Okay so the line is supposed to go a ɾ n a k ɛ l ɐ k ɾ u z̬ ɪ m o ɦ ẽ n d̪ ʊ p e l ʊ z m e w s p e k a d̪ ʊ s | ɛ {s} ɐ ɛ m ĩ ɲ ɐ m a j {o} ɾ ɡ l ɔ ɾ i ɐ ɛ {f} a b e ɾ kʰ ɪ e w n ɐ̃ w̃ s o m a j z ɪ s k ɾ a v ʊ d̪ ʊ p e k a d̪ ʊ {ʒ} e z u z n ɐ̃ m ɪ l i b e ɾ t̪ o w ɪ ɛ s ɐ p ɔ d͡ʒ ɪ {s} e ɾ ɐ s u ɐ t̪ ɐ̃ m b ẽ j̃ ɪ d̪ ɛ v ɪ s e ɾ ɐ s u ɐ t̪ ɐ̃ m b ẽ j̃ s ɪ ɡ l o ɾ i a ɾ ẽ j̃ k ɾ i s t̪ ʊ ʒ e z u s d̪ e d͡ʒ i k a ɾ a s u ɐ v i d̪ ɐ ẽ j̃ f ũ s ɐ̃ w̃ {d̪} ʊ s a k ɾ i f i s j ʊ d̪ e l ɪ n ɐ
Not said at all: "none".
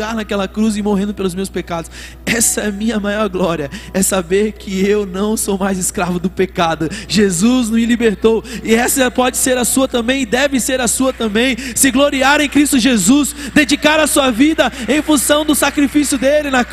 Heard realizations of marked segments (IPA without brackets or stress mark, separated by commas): s, ɔ, s, ʒ, s, d̪